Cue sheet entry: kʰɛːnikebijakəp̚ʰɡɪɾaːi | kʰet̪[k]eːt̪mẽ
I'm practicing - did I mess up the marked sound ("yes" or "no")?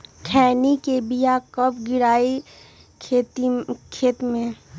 yes